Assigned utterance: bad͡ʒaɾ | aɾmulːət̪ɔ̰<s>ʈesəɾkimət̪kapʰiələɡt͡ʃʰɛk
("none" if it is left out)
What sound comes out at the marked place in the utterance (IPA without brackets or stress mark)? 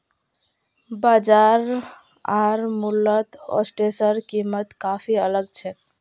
s